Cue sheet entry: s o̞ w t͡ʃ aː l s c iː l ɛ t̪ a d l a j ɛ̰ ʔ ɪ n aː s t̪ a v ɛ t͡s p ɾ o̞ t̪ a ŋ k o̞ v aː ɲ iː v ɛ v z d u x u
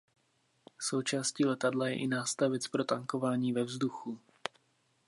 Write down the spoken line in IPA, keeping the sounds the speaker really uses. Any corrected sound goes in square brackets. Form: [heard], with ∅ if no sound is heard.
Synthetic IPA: s o̞ w t͡ʃ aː [∅] s c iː l ɛ t̪ a d l a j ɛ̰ ʔ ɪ n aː s t̪ a v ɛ t͡s p ɾ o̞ t̪ a ŋ k o̞ v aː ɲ iː v ɛ v z d u x u